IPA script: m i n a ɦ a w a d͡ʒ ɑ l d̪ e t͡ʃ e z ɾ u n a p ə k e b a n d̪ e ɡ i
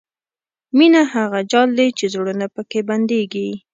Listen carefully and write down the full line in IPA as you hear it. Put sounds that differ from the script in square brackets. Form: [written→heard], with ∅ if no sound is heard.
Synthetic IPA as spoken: m i n a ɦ a [w→ɣ] a d͡ʒ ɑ l d̪ e t͡ʃ e z [ɾ→ɽ] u n a p ə k e b a n d̪ e ɡ i